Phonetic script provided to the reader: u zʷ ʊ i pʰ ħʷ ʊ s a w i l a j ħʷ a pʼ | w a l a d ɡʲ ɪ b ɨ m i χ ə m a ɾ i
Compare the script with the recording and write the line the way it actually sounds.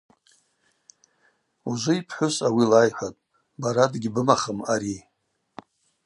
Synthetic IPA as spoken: u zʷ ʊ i pʰ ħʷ ʊ s a w i l a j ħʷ a tʼ | b a ɾ a d ɡʲ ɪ b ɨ m a χ ə m a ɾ i